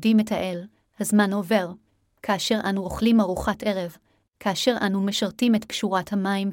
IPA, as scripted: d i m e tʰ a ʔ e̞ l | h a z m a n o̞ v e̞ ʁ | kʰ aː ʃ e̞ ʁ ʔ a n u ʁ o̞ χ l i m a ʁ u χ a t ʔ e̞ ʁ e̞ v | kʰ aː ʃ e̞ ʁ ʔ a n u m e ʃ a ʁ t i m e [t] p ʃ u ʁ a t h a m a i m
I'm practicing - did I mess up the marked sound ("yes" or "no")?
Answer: no